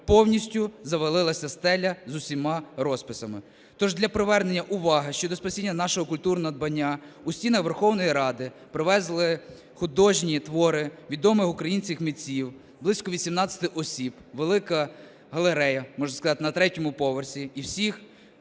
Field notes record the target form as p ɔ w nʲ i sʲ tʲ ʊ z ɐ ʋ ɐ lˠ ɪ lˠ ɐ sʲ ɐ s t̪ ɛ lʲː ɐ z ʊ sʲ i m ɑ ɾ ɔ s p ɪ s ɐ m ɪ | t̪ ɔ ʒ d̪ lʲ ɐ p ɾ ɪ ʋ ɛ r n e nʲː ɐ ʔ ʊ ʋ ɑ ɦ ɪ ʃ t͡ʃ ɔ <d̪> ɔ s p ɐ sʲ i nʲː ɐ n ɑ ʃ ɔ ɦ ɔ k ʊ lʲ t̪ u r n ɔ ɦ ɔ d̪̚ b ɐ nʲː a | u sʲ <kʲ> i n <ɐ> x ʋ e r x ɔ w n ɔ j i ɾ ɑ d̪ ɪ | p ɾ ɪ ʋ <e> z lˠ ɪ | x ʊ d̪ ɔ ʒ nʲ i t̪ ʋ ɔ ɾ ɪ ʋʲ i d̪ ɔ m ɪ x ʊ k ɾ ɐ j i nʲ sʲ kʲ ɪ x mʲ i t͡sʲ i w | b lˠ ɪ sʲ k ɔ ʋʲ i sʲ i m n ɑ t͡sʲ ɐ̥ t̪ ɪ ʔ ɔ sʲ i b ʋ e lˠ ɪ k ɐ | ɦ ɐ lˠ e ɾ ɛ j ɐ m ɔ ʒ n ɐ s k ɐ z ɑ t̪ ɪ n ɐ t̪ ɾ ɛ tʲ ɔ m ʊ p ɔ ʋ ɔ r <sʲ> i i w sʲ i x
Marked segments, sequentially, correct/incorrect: correct, incorrect, correct, incorrect, correct

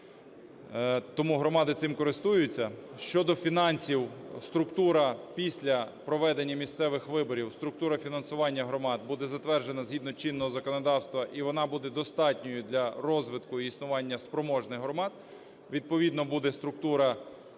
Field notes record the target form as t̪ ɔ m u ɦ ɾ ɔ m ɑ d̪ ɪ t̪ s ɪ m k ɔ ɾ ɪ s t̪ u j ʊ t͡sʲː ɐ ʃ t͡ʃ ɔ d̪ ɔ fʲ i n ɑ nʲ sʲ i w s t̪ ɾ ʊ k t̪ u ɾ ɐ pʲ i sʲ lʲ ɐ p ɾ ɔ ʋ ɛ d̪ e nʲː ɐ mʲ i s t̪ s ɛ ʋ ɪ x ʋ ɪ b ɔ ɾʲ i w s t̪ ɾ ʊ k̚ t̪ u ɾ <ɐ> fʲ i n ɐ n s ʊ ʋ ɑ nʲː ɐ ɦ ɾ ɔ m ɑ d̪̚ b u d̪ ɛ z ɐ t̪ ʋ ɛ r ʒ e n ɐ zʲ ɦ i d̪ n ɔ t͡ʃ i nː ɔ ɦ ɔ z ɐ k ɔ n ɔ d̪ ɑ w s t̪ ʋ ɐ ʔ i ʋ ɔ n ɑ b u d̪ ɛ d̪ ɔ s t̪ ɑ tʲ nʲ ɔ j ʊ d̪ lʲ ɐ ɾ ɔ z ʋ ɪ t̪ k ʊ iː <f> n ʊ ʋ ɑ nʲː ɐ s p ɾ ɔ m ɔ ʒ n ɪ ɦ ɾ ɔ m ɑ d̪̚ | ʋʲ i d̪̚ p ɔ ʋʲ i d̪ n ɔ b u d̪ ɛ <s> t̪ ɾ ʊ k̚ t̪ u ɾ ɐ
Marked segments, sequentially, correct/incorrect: correct, incorrect, correct

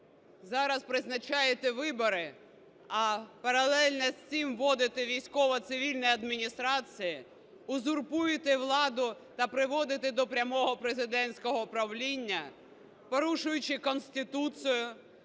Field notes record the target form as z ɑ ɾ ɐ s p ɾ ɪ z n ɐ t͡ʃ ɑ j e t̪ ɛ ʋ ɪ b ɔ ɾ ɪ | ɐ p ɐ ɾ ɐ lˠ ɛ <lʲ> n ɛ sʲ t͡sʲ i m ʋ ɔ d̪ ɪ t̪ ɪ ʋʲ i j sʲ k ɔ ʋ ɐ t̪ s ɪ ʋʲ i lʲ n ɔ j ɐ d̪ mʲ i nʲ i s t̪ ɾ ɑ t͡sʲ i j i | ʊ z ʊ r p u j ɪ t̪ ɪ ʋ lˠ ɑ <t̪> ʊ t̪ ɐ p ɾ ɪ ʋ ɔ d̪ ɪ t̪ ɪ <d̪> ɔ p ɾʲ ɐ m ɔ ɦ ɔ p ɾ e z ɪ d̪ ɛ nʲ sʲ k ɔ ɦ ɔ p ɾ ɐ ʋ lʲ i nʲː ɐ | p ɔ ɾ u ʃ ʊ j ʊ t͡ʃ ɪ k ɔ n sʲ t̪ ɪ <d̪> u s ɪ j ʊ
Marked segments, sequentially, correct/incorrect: correct, incorrect, correct, incorrect

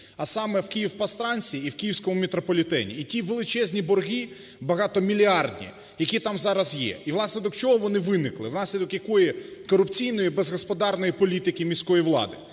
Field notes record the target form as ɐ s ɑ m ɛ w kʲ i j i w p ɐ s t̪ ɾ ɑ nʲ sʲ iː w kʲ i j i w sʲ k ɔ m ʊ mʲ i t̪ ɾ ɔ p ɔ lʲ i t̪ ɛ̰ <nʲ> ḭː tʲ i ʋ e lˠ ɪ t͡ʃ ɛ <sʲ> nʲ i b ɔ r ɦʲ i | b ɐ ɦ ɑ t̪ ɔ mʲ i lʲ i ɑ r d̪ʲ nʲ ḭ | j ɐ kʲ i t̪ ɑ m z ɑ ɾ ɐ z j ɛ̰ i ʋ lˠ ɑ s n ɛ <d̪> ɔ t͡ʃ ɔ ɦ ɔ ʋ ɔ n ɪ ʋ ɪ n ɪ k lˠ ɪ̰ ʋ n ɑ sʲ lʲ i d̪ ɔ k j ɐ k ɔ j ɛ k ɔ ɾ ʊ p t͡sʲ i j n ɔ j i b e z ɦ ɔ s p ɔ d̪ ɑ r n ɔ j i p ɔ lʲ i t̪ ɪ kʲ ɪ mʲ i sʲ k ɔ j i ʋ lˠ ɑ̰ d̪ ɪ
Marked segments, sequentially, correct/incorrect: correct, incorrect, correct

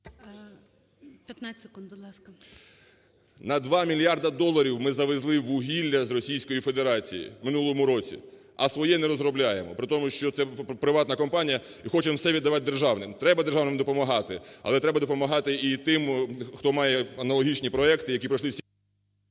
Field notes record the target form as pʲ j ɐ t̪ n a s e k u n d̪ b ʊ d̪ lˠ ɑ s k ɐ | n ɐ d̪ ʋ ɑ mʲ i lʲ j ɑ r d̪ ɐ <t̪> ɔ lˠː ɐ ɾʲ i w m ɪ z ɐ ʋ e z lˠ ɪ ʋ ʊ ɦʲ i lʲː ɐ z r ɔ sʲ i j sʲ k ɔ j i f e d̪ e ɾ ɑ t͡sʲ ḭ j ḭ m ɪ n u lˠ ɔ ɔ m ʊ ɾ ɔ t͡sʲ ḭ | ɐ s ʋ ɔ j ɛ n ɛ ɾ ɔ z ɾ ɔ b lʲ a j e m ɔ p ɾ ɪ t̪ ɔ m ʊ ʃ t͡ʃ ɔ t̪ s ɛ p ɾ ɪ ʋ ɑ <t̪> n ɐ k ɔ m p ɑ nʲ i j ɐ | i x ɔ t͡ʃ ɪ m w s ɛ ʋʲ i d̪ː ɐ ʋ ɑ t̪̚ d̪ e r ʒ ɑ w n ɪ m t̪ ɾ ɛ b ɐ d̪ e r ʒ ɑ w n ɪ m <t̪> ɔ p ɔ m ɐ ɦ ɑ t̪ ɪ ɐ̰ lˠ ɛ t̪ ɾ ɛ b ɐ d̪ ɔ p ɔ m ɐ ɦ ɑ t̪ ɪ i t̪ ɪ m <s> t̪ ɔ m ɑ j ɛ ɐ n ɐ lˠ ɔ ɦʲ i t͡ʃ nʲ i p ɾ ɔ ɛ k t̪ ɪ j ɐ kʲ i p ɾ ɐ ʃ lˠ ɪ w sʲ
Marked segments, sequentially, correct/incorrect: incorrect, correct, incorrect, incorrect

